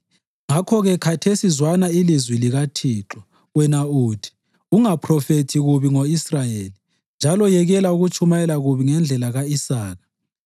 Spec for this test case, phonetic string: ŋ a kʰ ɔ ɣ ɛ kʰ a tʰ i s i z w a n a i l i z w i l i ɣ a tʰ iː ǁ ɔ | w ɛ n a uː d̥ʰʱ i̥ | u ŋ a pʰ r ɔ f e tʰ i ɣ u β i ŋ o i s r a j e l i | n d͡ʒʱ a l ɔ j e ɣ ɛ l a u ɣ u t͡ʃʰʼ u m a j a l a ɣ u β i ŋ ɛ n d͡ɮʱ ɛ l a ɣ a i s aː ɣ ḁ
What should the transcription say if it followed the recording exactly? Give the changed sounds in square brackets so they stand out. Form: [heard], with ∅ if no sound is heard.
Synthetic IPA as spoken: ŋ a kʰ ɔ ɣ ɛ kʰ a tʰ [e] s i z w a n a i l i z w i l i ɣ a tʰ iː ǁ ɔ | w ɛ n a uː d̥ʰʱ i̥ | u ŋ a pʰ r ɔ f e tʰ i ɣ u β i ŋ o i s r a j e l i | n d͡ʒʱ a l ɔ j [ɛ] ɣ ɛ l a u ɣ u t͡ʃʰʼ u m a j [ɛ] l a ɣ u β i ŋ ɛ n d͡ɮʱ ɛ l a ɣ a i s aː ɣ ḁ